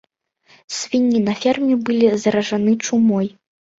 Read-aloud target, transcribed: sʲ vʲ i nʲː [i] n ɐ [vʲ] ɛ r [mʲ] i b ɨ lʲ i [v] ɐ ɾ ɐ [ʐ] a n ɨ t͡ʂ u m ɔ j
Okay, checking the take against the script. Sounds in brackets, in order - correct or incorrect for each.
correct, incorrect: fʲ, correct, incorrect: z, correct

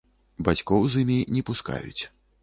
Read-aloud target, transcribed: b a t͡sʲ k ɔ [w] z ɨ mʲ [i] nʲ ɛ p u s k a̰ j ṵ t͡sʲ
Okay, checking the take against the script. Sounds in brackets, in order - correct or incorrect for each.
correct, correct

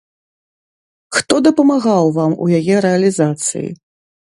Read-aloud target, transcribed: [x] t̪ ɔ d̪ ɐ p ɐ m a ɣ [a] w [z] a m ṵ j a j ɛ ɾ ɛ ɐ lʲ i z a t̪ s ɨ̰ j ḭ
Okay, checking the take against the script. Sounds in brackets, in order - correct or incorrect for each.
correct, correct, incorrect: v

